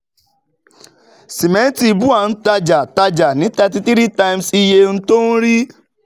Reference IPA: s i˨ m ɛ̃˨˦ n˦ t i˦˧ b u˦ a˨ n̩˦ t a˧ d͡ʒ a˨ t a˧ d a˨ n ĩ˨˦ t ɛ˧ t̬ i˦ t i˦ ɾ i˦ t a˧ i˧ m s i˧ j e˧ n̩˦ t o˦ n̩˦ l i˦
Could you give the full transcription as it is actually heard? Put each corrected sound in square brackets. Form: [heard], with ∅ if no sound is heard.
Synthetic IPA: s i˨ m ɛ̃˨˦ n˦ t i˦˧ b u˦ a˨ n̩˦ t a˧ d͡ʒ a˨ t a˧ [d͡ʒ] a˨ n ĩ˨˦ t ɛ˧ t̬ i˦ t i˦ ɾ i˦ t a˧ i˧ m s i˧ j e˧ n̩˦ t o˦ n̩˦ [ɾ] i˦